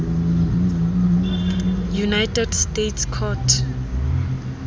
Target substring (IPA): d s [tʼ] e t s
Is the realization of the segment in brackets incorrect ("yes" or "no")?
yes